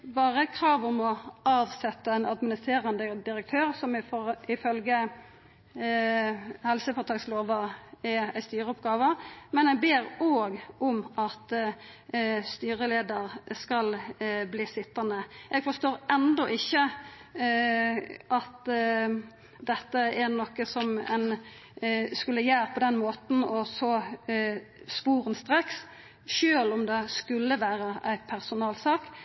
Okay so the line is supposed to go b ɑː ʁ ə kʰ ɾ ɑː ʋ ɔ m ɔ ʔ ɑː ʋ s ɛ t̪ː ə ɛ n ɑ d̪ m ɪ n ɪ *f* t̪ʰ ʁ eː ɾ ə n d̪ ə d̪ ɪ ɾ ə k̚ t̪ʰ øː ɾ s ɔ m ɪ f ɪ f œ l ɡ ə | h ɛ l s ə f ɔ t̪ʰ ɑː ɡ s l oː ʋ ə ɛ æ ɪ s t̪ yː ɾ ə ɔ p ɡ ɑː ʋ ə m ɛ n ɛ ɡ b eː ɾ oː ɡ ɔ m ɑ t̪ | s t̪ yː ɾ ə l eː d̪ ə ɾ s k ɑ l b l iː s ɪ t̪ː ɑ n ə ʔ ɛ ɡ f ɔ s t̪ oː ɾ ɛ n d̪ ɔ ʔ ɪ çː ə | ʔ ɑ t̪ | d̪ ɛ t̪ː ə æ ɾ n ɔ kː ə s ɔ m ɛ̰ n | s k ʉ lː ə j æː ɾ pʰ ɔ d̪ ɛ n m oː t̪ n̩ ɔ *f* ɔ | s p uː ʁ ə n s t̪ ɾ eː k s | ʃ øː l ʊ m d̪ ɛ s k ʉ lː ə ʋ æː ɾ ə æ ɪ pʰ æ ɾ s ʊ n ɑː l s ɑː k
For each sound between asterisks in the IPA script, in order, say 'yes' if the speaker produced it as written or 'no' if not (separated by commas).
no, no